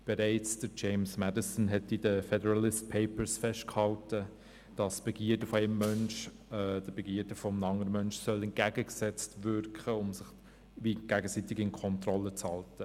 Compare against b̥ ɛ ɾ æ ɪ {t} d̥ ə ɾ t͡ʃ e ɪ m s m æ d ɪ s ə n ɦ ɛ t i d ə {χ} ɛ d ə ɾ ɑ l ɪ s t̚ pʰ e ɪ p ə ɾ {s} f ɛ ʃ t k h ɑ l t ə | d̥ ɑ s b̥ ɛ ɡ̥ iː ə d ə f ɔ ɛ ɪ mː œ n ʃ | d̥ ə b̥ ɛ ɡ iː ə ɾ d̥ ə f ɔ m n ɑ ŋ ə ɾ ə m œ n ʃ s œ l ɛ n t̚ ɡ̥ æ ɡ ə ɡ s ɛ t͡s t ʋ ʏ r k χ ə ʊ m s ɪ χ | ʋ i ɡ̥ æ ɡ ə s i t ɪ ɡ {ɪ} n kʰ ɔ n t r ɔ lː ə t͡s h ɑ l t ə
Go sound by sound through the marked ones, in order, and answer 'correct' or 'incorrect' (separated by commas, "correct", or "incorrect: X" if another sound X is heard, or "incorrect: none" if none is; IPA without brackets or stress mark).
incorrect: t͡s, incorrect: f, correct, correct